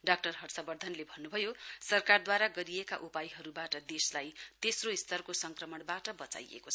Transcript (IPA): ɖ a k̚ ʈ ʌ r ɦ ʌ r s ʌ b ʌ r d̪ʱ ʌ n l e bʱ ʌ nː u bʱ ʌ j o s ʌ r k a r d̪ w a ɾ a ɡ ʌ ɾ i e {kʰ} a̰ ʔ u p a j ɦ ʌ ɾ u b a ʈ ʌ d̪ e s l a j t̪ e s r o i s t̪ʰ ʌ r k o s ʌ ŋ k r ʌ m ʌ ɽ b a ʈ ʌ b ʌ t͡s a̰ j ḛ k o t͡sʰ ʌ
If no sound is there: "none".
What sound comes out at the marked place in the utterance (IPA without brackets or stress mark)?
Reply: k